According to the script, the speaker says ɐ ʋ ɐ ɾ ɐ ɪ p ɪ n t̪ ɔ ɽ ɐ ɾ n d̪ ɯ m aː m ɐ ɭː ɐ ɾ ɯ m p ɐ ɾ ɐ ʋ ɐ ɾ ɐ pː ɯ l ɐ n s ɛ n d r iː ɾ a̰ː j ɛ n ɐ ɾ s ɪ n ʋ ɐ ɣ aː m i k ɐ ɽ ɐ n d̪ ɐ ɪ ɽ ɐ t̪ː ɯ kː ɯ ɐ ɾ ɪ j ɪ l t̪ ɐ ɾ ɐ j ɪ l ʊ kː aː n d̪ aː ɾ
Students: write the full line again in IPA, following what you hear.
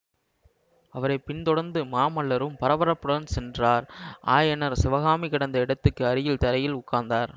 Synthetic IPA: ɐ ʋ ɐ ɾ ɐ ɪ p ɪ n t̪ ɔ ɽ ɐ ɾ n d̪ ɯ m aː m ɐ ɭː ɐ ɾ ɯ m p ɐ ɾ ɐ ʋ ɐ ɾ ɐ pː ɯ ɽ ɐ n s ɛ n d r aː ɾ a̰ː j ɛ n ɐ ɾ s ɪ ʋ ɐ ɣ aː m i k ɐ ɽ ɐ n d̪ ɐ ɪ ɽ ɐ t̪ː ɯ kː ɯ ɐ ɾ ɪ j ɪ l t̪ ɐ ɾ ɐ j ɪ l ʊ kː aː n d̪ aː ɾ